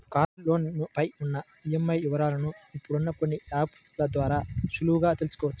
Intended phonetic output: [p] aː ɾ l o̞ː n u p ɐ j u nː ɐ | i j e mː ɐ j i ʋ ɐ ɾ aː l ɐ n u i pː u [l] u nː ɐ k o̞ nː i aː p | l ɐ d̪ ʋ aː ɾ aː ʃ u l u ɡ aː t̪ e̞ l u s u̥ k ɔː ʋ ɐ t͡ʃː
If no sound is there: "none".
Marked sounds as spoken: k, ɽ

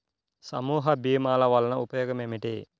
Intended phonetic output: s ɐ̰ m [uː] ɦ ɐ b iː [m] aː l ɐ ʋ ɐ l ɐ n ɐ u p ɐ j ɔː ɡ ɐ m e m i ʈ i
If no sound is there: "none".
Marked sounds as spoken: uː, m

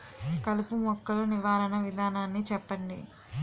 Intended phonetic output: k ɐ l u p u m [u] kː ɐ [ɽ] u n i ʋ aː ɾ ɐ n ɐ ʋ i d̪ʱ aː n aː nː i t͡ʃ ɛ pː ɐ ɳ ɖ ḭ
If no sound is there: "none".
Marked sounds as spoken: ɔ, l

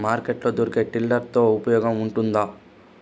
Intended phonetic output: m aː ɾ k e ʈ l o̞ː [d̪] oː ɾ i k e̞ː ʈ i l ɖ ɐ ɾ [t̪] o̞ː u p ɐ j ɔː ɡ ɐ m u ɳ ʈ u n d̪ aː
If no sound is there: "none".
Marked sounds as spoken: d̪, t̪

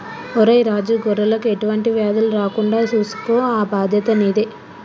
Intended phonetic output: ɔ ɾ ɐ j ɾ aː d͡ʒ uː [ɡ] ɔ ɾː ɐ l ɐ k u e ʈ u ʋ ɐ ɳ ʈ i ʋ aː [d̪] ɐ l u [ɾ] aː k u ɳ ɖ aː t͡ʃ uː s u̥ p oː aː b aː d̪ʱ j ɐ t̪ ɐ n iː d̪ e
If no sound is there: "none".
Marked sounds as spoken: ɡ, d̪, ɾ

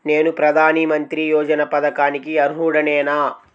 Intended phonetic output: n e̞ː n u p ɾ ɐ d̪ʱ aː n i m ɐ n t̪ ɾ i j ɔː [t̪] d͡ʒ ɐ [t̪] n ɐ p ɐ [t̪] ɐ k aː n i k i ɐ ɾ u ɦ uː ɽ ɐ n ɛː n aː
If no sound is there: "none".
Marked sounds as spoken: none, none, d̪

